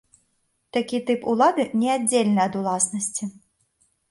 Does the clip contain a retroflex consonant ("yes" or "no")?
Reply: no